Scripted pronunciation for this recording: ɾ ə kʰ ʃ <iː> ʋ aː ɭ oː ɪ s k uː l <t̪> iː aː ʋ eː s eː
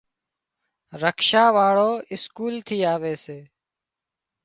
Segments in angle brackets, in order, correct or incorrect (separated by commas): incorrect, incorrect